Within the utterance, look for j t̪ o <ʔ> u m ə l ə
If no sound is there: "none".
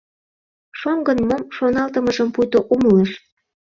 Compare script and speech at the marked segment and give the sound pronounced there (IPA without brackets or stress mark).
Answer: ʔ